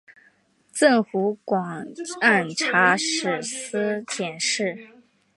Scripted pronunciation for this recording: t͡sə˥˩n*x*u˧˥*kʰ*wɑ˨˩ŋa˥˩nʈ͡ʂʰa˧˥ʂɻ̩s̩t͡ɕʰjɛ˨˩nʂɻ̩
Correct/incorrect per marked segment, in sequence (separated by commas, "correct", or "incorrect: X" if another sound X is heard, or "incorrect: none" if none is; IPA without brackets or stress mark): correct, incorrect: k